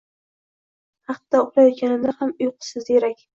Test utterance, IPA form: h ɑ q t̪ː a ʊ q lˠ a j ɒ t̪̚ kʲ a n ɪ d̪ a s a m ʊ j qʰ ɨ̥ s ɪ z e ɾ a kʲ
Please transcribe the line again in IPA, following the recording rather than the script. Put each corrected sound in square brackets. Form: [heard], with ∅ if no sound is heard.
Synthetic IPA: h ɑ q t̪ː a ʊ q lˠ a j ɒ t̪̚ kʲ a n ɪ d̪ a [h] a m ʊ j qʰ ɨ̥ s ɪ z e ɾ a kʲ